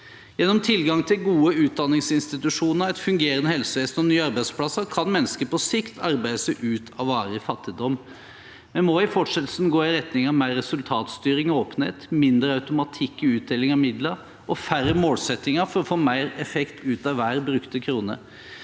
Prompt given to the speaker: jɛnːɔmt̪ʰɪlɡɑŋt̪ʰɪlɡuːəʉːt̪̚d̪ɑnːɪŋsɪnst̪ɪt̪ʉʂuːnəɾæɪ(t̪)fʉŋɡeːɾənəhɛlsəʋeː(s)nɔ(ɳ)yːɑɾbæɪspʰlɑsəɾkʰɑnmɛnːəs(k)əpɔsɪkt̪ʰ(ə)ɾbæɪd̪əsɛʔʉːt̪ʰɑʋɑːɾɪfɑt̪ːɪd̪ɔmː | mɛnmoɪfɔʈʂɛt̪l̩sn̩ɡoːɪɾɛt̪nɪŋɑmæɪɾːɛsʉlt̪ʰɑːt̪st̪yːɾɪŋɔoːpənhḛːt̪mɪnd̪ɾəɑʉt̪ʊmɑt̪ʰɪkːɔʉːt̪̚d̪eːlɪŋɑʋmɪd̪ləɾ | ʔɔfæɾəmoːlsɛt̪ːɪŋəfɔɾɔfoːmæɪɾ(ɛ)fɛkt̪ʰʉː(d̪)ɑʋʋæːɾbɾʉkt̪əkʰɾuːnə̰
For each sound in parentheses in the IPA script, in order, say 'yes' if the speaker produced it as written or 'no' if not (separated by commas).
yes, yes, no, yes, no, yes, no